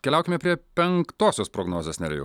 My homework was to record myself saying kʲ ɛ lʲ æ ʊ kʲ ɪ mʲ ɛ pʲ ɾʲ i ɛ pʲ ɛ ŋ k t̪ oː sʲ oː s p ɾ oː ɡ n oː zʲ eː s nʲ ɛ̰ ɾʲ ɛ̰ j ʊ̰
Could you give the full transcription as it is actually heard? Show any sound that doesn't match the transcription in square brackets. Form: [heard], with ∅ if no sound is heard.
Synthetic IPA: kʲ ɛ lʲ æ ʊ kʲ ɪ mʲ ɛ pʲ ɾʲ i ɛ pʲ ɛ ŋ k t̪ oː sʲ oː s p ɾ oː ɡ n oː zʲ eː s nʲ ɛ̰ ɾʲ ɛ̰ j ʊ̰

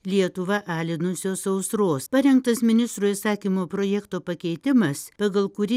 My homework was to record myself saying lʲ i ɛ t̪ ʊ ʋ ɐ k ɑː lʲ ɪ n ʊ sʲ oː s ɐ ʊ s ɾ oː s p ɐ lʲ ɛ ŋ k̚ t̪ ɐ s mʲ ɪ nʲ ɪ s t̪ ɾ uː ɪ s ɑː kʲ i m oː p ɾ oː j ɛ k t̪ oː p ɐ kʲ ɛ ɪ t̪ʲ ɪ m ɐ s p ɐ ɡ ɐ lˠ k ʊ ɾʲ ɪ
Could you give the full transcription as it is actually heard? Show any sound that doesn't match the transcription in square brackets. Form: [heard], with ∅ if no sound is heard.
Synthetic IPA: lʲ i ɛ t̪ ʊ ʋ ɐ [ʔ] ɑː lʲ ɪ n ʊ sʲ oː s ɐ ʊ s ɾ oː s p ɐ [ɾʲ] ɛ ŋ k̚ t̪ ɐ s mʲ ɪ nʲ ɪ s t̪ ɾ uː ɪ s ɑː kʲ i m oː p ɾ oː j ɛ k t̪ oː p ɐ kʲ ɛ ɪ t̪ʲ ɪ m ɐ s p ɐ ɡ ɐ lˠ k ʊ ɾʲ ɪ

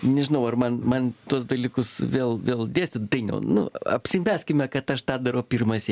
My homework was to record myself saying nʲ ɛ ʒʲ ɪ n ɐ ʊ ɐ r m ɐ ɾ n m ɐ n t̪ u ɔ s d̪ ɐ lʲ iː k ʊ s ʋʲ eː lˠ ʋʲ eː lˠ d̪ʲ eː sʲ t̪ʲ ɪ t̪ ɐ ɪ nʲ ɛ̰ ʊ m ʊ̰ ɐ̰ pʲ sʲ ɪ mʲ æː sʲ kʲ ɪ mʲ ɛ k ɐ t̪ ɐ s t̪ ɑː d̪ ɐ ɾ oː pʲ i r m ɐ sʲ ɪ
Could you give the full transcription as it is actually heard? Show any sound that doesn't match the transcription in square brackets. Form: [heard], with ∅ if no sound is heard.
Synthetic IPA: nʲ ɛ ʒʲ ɪ n ɐ ʊ ɐ r m ɐ [∅] n m ɐ n t̪ u ɔ s d̪ ɐ lʲ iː k ʊ s ʋʲ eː lˠ ʋʲ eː lˠ d̪ʲ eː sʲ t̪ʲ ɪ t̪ ɐ ɪ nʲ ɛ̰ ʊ [n] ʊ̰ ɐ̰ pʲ sʲ ɪ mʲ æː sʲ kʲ ɪ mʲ ɛ k ɐ t̪ ɐ [ʃ] t̪ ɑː d̪ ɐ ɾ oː pʲ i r m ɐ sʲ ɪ

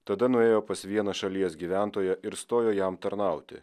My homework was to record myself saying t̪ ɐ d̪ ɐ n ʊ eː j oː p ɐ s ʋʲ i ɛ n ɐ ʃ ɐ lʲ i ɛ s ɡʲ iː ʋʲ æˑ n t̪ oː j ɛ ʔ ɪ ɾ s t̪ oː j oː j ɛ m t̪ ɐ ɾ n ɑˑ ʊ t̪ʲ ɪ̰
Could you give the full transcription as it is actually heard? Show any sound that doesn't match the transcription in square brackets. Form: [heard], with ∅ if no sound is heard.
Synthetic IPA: t̪ ɐ d̪ ɐ n ʊ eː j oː p ɐ s ʋʲ i ɛ n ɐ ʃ ɐ lʲ i ɛ s ɡʲ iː ʋʲ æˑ n t̪ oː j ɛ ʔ ɪ ɾ s t̪ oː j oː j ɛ m t̪ ɐ ɾ n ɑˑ ʊ t̪ʲ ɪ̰

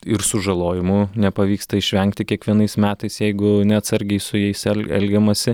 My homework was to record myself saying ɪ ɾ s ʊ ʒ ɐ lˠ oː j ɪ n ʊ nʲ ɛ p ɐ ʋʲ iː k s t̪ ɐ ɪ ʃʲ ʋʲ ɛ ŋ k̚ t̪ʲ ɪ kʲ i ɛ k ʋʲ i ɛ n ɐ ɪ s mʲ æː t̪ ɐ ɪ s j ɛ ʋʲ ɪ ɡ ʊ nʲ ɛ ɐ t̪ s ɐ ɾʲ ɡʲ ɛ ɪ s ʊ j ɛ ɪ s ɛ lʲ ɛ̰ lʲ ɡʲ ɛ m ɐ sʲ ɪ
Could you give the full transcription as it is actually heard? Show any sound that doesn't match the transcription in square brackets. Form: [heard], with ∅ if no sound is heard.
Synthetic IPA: ɪ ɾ s ʊ ʒ ɐ lˠ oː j ɪ [m] ʊ nʲ ɛ p ɐ ʋʲ iː k s t̪ ɐ ɪ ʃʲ ʋʲ ɛ ŋ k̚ t̪ʲ ɪ kʲ i ɛ k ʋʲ i ɛ n ɐ ɪ s mʲ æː t̪ ɐ ɪ s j ɛ [∅] ɪ ɡ ʊ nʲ ɛ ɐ t̪ s ɐ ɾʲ ɡʲ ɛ ɪ s ʊ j ɛ ɪ s ɛ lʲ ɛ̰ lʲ ɡʲ ɛ m ɐ sʲ ɪ

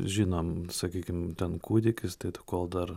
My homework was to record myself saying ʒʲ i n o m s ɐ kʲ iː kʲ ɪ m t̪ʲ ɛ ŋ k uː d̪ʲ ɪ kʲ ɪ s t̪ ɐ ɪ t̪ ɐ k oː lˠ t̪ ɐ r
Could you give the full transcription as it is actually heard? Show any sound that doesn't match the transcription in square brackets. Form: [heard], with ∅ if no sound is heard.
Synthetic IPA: ʒʲ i n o m s ɐ kʲ iː kʲ ɪ m t̪ʲ ɛ [n] k uː d̪ʲ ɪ kʲ ɪ s t̪ ɐ ɪ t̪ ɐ k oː lˠ [d̪] ɐ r

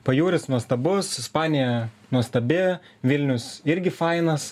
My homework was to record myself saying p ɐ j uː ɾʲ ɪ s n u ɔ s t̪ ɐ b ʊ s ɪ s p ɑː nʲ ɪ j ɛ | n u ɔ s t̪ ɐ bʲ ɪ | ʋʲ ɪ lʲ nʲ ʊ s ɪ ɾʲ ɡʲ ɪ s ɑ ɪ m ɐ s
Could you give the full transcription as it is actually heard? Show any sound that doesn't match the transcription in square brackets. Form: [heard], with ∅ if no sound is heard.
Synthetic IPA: p ɐ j uː ɾʲ ɪ s n u ɔ s t̪ ɐ b ʊ s ɪ s p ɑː nʲ ɪ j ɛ | n u ɔ s t̪ ɐ bʲ ɪ | ʋʲ ɪ lʲ nʲ ʊ s ɪ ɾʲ ɡʲ ɪ [f] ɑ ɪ [n] ɐ s

